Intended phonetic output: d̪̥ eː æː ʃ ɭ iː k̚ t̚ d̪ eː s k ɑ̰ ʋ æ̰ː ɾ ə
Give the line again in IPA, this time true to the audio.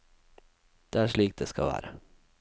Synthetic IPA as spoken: d̪̥ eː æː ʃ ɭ iː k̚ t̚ d̪ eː s k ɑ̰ ʋ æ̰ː ɾ ə